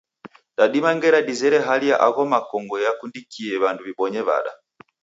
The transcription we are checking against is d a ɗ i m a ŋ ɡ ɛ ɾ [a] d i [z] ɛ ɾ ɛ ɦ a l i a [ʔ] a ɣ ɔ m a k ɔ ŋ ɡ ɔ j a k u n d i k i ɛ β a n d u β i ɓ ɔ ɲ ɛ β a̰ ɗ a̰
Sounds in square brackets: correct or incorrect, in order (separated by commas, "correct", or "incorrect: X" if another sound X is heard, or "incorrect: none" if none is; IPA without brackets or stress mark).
correct, correct, correct